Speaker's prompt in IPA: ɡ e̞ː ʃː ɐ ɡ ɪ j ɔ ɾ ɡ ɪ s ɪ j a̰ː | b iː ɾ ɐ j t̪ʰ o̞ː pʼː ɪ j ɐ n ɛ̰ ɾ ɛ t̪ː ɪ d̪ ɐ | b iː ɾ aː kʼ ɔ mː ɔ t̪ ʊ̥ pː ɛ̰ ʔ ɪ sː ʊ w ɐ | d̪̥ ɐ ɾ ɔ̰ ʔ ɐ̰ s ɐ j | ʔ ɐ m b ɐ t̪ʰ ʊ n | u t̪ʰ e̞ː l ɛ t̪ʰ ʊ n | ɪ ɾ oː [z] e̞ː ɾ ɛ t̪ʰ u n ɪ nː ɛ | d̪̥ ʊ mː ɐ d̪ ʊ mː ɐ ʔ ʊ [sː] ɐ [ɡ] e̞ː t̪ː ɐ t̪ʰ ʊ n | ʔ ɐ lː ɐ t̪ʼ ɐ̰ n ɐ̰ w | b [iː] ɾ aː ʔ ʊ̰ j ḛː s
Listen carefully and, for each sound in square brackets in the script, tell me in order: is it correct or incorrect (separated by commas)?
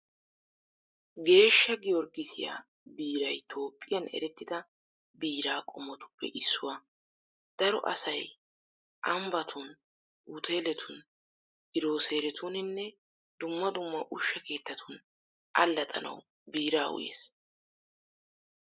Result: incorrect, incorrect, incorrect, correct